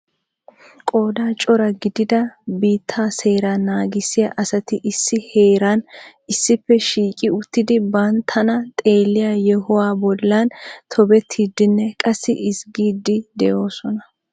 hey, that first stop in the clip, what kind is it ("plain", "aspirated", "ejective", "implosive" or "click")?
ejective